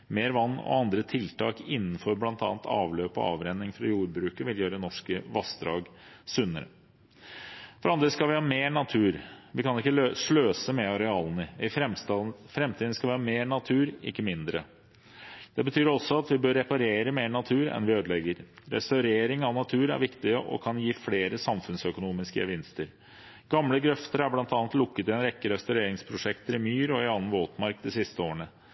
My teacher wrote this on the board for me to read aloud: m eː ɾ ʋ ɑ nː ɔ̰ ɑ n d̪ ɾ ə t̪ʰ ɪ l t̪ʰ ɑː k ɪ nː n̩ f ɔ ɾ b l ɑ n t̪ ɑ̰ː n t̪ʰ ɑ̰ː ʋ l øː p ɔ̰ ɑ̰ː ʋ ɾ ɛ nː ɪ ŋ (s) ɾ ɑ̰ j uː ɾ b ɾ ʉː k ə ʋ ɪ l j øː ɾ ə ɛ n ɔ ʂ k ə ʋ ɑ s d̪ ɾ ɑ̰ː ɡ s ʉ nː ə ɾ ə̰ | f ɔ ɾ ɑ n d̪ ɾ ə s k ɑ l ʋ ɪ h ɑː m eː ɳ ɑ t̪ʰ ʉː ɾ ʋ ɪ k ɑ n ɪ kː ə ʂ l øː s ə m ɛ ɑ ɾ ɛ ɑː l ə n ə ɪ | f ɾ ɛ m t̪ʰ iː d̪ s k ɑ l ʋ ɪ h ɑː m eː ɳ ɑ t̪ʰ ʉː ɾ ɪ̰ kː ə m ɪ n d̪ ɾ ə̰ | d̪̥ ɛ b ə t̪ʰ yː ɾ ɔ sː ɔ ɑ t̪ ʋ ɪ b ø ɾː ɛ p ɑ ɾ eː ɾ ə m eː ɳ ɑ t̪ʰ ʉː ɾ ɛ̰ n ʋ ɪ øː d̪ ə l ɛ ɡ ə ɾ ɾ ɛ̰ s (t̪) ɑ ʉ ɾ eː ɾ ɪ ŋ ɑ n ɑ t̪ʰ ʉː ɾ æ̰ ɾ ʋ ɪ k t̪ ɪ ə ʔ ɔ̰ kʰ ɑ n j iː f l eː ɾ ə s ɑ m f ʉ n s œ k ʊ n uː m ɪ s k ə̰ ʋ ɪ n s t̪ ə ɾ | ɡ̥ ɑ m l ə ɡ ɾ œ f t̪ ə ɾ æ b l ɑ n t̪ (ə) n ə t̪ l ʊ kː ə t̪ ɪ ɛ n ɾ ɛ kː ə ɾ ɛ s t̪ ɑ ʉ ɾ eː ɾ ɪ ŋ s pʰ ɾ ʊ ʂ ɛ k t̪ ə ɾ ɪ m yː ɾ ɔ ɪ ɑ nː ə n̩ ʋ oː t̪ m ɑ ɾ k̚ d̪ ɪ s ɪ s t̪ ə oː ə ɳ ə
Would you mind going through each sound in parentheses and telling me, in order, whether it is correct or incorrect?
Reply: incorrect: f, correct, incorrect: ɑ

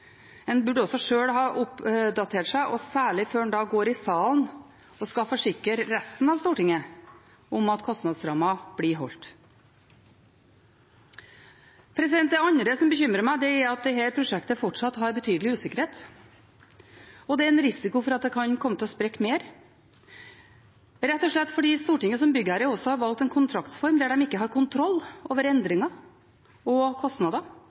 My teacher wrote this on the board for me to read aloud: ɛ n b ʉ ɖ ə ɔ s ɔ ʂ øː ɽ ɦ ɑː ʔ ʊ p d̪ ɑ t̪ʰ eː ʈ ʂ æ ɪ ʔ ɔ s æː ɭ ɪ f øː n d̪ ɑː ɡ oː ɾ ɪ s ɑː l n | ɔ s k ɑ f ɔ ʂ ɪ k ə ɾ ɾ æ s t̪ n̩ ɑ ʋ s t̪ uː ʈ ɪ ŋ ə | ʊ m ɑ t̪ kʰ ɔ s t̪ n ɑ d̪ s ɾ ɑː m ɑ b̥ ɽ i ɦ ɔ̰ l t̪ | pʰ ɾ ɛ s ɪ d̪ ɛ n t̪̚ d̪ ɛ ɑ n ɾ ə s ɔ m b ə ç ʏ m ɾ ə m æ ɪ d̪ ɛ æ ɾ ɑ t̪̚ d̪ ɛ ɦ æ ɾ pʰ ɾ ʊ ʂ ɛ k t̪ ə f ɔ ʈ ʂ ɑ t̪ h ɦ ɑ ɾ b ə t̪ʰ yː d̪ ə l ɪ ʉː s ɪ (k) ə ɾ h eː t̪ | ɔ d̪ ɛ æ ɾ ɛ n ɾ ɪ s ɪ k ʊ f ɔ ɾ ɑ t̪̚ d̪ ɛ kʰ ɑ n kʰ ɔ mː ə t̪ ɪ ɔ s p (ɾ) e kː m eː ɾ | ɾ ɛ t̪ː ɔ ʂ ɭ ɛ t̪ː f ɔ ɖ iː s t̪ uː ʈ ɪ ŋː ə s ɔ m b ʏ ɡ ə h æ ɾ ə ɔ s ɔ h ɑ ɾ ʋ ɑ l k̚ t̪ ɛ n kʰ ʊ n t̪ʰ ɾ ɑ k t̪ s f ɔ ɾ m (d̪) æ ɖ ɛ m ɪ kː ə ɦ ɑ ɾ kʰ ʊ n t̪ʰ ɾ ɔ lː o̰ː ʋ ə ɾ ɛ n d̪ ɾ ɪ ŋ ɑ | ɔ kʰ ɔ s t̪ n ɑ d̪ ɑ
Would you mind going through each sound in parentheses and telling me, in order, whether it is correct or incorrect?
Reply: correct, correct, correct

